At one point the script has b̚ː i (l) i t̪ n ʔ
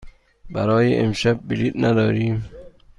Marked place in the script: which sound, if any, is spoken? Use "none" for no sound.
l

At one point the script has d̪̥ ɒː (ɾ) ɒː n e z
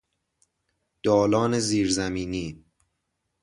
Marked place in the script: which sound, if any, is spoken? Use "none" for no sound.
l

